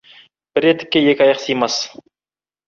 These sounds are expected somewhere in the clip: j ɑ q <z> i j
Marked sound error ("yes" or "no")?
yes